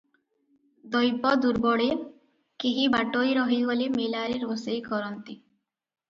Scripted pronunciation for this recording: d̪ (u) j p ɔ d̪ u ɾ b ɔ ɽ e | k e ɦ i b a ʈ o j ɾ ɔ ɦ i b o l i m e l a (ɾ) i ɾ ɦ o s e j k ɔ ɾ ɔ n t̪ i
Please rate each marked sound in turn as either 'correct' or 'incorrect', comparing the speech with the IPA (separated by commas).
incorrect, correct